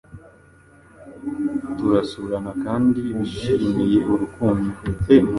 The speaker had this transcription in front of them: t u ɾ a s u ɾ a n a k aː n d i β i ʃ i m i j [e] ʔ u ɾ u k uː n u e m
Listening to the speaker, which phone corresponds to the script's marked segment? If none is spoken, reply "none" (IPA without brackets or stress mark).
e